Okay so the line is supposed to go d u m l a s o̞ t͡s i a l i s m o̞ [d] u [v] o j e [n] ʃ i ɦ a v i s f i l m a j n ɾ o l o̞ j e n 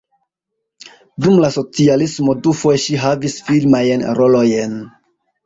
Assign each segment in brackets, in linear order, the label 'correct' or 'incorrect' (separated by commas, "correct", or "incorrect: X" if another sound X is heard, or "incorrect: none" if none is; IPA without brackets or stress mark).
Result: correct, incorrect: f, incorrect: none